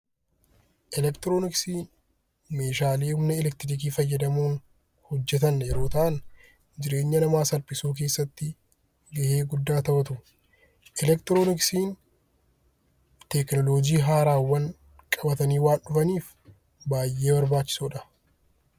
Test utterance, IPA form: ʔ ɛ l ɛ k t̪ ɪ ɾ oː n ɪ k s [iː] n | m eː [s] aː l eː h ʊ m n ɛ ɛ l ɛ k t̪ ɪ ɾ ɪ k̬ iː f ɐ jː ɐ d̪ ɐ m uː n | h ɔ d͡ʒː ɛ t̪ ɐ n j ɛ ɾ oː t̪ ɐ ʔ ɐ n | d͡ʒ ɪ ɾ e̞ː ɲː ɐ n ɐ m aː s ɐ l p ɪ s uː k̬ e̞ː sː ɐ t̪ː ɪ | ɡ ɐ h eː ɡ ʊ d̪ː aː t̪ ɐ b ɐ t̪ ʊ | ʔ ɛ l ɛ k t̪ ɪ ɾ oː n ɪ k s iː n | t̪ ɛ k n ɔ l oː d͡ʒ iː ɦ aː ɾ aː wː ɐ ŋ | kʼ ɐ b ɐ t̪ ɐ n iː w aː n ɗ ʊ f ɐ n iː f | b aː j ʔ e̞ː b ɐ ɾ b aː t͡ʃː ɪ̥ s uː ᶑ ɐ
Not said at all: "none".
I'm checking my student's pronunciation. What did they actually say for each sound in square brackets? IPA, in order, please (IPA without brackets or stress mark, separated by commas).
iː, ʃ